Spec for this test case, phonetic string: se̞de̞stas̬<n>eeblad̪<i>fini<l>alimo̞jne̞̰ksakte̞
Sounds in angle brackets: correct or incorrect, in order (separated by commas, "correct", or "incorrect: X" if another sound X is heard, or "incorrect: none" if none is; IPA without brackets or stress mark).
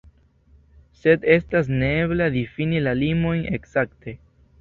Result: correct, correct, correct